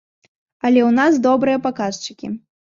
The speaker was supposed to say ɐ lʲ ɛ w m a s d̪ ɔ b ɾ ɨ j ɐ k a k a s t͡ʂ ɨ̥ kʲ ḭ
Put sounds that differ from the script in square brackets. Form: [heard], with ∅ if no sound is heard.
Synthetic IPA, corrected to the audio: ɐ lʲ ɛ w [n] a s d̪ ɔ b ɾ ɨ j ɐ [p] a k a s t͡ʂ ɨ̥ kʲ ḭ